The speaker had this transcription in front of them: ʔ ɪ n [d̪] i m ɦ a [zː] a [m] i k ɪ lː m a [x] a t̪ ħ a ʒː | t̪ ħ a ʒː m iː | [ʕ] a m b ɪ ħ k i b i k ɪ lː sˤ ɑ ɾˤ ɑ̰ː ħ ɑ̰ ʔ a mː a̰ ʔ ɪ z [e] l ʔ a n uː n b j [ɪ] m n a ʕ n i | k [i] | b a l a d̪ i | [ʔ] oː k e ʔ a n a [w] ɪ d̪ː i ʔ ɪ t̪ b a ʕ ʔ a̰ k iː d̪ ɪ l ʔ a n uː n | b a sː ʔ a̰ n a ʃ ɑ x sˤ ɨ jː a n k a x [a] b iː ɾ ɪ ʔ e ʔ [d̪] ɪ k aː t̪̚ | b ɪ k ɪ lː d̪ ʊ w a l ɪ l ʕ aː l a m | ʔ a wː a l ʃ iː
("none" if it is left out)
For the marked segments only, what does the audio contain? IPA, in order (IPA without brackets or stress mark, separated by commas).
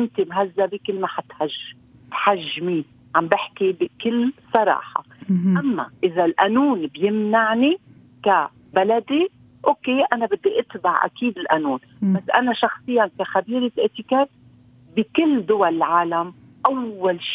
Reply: t̪, zː, b, ħ, ʕ, a, ɪ, a, ʔ, b, a, t̪